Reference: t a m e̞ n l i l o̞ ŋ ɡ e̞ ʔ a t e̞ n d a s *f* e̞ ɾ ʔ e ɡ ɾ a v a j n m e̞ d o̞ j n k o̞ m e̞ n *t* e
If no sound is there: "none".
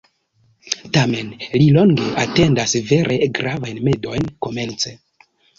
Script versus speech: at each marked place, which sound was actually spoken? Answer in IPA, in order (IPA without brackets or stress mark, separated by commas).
v, t͡s